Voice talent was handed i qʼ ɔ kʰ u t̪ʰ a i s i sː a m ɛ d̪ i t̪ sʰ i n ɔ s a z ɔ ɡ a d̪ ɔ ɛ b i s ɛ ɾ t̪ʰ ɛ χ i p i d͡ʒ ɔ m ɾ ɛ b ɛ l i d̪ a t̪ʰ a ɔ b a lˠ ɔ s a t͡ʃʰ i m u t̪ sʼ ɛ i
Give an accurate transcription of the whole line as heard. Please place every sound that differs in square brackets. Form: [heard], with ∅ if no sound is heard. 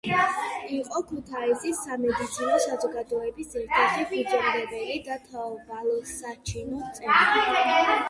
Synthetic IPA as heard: i qʼ ɔ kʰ u t̪ʰ a i s i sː a m ɛ d̪ i t̪ sʰ i n ɔ s a z ɔ ɡ a d̪ ɔ ɛ b i s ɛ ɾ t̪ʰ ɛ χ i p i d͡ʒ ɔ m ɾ ɛ b ɛ l i d̪ a t̪ʰ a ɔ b a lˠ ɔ s a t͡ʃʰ i [n] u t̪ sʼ ɛ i